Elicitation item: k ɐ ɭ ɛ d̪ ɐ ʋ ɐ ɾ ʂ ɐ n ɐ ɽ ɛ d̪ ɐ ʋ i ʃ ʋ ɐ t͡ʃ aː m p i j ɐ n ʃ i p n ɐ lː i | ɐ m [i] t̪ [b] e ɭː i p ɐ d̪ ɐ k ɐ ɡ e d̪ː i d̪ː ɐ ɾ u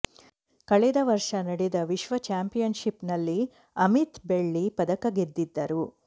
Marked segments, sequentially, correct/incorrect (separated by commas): correct, correct